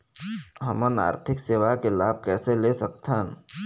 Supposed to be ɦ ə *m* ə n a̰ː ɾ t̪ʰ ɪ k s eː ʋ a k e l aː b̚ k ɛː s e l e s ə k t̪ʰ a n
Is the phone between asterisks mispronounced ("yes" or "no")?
no